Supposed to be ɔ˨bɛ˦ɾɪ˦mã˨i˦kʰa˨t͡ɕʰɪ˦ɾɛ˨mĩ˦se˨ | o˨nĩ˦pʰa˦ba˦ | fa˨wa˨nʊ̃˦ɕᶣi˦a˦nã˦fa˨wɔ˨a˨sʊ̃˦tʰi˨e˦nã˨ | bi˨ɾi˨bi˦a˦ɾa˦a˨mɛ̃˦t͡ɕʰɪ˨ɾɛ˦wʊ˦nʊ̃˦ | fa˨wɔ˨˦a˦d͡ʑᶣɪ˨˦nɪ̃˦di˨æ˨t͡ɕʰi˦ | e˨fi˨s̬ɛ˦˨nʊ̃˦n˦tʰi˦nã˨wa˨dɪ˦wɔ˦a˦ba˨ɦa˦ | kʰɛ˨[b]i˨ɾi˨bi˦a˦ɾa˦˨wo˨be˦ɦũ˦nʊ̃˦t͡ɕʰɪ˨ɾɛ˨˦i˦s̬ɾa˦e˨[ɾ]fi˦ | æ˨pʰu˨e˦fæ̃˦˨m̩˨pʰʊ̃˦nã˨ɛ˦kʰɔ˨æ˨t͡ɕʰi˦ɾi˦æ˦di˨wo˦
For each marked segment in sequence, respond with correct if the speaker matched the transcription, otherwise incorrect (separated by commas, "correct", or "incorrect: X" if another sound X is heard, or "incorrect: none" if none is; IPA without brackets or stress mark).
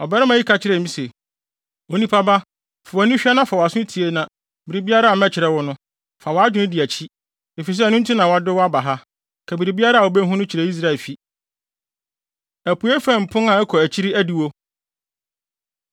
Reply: correct, incorrect: l